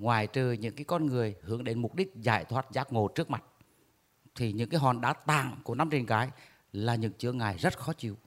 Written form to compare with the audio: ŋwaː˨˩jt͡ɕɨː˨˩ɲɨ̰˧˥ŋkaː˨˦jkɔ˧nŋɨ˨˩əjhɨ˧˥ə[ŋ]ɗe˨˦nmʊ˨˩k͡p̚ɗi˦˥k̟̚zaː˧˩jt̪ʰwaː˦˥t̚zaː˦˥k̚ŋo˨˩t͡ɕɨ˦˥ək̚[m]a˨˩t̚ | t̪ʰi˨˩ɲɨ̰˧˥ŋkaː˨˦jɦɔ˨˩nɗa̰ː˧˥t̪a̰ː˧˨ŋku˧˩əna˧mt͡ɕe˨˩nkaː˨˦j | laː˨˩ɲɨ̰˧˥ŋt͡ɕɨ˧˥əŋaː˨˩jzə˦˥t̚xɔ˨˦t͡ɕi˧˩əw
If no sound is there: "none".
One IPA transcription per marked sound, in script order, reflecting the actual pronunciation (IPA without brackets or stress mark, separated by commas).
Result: ŋ, m